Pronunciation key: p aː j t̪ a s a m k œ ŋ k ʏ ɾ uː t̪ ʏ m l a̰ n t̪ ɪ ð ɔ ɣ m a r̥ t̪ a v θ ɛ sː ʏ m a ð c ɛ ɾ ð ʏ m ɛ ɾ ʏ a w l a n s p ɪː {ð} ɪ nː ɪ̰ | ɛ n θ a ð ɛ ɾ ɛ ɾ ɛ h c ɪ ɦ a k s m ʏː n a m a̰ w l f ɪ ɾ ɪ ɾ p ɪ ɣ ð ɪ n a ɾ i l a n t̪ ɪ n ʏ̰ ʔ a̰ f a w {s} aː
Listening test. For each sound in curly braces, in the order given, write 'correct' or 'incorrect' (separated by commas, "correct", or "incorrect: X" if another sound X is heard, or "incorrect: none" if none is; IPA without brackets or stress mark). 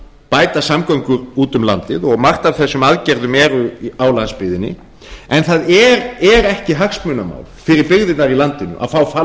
correct, incorrect: f